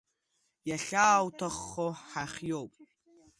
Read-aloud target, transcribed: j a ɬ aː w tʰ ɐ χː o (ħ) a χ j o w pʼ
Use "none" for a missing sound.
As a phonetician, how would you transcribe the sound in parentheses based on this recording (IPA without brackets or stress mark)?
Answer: ħ